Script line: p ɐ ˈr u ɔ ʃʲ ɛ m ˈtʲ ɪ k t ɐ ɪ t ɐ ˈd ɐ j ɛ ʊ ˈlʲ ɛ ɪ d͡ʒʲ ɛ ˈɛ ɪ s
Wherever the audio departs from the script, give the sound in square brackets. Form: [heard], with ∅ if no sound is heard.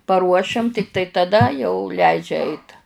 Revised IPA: p ɐ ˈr u ɔ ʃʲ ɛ m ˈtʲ ɪ k t ɐ ɪ t ɐ ˈd ɐ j ɛ ʊ ˈlʲ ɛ ɪ d͡ʒʲ ɛ ˈɛ ɪ [t]